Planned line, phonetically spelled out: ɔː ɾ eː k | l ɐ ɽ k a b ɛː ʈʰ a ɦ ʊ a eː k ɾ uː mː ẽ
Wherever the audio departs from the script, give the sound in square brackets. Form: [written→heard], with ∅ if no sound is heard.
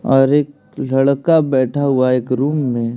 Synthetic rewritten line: ɔː ɾ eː k | l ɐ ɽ k a b ɛː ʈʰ a ɦ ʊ a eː k ɾ uː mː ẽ

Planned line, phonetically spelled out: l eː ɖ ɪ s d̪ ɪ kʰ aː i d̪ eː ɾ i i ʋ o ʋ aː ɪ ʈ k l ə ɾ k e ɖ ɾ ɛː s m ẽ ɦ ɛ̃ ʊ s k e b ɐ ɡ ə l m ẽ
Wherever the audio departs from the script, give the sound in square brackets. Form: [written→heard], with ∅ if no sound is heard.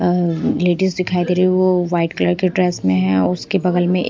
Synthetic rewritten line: l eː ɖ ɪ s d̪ ɪ kʰ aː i d̪ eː ɾ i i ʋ o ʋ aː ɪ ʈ k l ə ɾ k e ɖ ɾ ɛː s m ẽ ɦ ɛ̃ ʊ s k e b ɐ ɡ ə l m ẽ

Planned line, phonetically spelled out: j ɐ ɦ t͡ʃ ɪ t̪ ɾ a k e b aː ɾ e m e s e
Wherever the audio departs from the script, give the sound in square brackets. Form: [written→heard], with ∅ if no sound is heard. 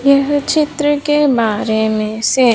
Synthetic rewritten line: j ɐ ɦ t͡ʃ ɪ t̪ ɾ [a→ə] k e b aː ɾ e m [e→ẽ] s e

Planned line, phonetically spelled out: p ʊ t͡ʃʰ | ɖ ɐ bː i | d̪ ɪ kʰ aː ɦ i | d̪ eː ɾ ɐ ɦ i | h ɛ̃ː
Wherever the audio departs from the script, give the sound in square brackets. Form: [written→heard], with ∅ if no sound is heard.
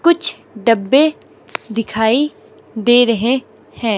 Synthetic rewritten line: [p→k] ʊ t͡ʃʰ | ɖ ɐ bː [i→e] | d̪ ɪ kʰ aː [ɦ→∅] i | d̪ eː ɾ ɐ ɦ [i→e] | h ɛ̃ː

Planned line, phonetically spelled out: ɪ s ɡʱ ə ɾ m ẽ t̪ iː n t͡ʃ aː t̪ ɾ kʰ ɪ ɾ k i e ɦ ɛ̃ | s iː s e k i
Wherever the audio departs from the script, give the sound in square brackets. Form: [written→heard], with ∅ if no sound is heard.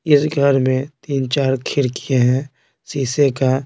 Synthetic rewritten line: ɪ s ɡʱ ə ɾ m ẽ t̪ iː n t͡ʃ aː [t̪→∅] ɾ kʰ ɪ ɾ k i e ɦ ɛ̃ | s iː s e k [i→a]

